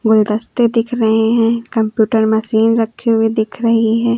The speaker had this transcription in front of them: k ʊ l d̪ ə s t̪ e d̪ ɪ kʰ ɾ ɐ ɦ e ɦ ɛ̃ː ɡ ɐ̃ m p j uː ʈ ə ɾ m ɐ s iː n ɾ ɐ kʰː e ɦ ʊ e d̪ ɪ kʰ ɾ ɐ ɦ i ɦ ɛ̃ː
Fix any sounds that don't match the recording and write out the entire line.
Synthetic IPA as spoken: ɡ ʊ l d̪ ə s t̪ e d̪ ɪ kʰ ɾ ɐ ɦ e ɦ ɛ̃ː k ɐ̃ m p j uː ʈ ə ɾ m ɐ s iː n ɾ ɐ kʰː e ɦ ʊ e d̪ ɪ kʰ ɾ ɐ ɦ i ɦ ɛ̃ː